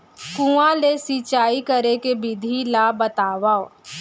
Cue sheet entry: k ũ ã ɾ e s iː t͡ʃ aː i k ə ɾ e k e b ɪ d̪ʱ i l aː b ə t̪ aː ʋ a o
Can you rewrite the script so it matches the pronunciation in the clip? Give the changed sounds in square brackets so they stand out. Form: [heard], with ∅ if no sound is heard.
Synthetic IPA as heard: k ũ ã [l] e s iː t͡ʃ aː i k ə ɾ e k e b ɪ d̪ʱ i l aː b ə t̪ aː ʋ a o